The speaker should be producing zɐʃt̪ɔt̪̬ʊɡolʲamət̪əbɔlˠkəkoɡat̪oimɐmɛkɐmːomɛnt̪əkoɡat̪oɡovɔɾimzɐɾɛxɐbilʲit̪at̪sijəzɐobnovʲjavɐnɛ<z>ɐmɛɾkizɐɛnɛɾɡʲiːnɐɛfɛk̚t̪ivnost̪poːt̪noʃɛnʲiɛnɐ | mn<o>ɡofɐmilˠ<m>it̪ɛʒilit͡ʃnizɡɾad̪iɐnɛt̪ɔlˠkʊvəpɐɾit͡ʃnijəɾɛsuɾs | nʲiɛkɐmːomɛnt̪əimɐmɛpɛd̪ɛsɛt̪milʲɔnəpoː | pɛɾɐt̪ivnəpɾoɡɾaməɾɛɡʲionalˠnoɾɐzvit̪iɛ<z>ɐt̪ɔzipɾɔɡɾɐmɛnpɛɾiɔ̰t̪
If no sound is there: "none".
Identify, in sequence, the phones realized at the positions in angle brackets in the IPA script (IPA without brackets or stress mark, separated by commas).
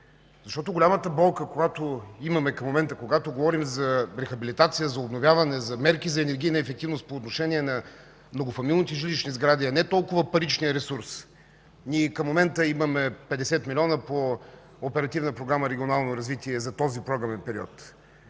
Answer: z, o, n, z